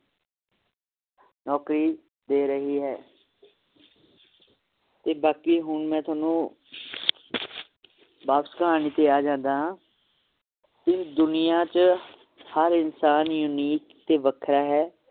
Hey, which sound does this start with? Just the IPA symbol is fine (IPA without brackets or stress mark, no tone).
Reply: n